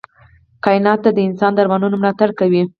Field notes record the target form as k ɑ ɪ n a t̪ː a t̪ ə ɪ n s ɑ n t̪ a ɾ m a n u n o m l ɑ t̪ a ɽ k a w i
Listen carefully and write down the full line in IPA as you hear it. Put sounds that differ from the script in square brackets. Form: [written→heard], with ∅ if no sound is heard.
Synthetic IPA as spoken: k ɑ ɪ n [a→ɑ] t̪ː a [t̪→d̪] ə ɪ n s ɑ n [t̪→d̪] a ɾ m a n u n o m l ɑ t̪ a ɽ k a w i